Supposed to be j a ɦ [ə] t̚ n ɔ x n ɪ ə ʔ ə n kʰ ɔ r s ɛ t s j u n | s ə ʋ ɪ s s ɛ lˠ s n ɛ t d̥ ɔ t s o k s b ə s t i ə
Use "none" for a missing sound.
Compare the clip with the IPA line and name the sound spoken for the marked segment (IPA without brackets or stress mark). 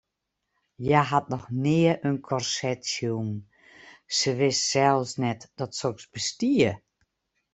a